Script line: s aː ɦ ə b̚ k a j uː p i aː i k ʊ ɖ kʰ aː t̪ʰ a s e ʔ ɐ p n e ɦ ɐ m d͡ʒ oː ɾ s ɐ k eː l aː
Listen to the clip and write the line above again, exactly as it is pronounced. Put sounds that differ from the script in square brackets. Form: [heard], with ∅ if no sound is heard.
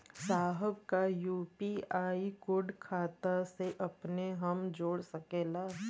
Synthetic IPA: s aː ɦ ə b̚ k a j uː p i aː i k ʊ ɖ kʰ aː [t̪] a s e ʔ ɐ p n e ɦ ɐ m d͡ʒ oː [ɽ] s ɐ k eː l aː